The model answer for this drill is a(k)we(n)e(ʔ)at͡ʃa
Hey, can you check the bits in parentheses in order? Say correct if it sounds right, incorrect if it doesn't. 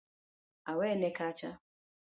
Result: incorrect, correct, incorrect

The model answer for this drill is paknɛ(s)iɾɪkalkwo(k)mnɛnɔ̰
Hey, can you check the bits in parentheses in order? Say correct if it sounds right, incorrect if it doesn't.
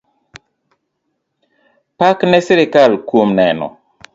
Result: correct, incorrect

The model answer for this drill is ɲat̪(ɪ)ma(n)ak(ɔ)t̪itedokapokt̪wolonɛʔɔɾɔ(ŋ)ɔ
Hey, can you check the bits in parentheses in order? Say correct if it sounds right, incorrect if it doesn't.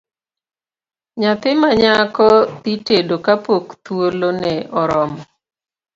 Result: correct, incorrect, correct, incorrect

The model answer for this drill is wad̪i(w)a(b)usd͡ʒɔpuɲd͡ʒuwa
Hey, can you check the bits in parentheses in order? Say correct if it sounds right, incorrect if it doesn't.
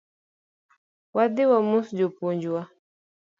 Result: correct, incorrect

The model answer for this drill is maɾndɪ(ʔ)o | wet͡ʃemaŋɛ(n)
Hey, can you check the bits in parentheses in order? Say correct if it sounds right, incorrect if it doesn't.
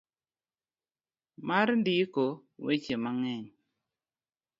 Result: incorrect, incorrect

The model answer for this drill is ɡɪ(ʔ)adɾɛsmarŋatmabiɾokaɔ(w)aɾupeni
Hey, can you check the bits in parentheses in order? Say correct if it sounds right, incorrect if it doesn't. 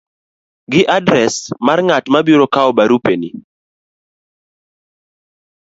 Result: correct, incorrect

